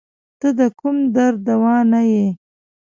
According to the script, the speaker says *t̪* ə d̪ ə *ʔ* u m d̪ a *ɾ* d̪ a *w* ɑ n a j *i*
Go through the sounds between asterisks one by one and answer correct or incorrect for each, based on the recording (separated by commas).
correct, incorrect, correct, correct, incorrect